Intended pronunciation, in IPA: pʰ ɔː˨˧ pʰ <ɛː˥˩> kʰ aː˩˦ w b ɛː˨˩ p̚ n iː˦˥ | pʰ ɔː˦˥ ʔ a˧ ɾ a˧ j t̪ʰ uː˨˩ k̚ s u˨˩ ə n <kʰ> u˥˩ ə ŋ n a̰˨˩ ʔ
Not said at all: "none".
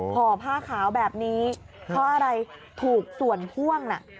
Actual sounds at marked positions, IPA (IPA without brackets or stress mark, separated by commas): aː˥˩, pʰ